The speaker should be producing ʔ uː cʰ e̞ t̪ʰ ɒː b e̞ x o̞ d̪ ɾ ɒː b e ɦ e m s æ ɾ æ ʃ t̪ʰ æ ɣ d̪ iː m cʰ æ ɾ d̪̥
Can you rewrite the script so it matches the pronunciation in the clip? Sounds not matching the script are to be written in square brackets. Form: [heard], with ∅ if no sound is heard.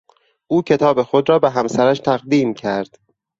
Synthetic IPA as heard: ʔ uː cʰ e̞ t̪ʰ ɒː b e̞ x o̞ d̪ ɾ ɒː b e ɦ [æ] m s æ ɾ æ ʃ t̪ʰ æ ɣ d̪ iː m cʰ æ ɾ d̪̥